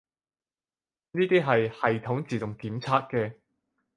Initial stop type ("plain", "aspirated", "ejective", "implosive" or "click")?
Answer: plain